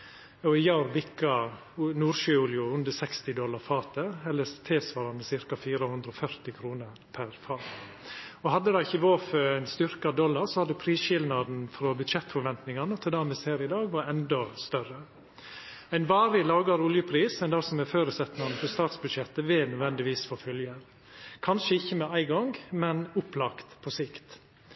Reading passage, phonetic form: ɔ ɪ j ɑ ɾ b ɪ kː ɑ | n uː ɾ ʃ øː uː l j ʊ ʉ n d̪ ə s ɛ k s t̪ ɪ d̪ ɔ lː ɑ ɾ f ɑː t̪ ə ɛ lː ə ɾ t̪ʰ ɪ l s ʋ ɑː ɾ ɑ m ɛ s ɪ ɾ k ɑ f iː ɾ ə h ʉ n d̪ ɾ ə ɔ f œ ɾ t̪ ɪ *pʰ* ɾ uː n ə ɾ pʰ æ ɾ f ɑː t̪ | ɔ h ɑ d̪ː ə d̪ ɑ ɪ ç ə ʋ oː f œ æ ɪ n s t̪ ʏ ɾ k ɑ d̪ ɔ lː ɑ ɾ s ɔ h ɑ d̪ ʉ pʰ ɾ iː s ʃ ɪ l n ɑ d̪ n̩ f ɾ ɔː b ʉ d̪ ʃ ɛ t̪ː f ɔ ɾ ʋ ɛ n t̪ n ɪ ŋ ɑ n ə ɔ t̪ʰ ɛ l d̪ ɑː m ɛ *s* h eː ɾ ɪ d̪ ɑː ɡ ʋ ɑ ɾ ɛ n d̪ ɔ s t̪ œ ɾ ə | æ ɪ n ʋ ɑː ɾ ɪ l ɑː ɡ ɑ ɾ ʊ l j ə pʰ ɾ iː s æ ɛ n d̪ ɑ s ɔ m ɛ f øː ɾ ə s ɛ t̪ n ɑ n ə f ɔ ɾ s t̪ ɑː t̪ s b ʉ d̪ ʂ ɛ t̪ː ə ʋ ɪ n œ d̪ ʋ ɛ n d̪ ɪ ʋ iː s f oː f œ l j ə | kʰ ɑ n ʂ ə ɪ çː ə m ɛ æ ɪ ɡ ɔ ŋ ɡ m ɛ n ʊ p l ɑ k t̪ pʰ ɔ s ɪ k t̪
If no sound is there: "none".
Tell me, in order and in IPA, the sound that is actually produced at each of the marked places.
kʰ, s

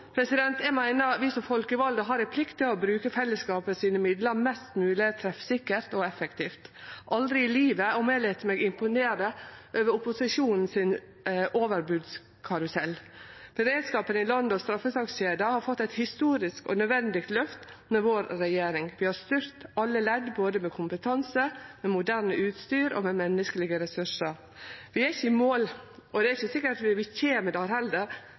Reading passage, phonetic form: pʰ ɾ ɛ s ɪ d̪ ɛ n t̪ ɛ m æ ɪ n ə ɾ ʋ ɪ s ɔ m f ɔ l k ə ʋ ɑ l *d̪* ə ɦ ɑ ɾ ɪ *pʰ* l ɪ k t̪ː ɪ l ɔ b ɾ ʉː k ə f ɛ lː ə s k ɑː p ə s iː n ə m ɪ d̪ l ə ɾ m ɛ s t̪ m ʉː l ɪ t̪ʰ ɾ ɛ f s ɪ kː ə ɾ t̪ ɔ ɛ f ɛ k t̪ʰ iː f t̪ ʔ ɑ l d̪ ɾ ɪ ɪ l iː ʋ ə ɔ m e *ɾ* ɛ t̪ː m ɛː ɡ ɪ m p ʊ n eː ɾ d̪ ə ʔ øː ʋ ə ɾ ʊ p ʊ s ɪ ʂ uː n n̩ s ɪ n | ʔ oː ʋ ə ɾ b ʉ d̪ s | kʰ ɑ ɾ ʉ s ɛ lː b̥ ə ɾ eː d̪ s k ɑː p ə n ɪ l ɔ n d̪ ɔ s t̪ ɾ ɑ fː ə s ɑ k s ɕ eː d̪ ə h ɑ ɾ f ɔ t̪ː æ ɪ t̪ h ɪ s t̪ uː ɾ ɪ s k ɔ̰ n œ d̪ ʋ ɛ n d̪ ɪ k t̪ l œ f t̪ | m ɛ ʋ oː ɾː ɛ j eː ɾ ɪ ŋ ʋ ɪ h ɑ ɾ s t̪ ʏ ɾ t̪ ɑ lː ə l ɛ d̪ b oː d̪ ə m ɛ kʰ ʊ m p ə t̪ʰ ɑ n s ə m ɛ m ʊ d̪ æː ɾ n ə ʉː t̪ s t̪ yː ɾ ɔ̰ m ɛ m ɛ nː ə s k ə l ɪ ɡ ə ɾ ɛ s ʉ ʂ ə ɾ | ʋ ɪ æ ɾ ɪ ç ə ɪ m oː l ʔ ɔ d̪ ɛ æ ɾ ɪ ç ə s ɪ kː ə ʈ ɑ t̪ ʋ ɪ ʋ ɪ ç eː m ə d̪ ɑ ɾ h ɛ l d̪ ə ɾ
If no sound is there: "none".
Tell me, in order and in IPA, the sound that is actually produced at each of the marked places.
d̪, pʰ, l

